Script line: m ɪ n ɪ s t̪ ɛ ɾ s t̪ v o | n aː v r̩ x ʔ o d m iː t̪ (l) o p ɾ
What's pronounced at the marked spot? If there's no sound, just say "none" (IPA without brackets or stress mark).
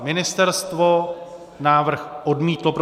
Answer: l